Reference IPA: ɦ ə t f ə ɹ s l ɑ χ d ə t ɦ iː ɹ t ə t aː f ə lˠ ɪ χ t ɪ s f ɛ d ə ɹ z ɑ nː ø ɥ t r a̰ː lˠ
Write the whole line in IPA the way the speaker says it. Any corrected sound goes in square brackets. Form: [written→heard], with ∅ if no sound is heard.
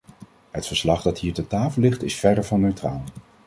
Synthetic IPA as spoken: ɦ ə t f ə ɹ s l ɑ χ d [ə→ɑ] t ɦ iː ɹ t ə t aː f ə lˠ ɪ χ t ɪ s f ɛ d ə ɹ [z→v] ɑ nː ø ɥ t r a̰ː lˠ